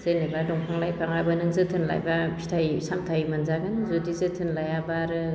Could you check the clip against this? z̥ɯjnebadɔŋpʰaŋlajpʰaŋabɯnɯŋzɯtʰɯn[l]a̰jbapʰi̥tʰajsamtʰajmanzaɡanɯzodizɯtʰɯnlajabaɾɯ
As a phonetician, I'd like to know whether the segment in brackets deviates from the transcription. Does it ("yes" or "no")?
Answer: no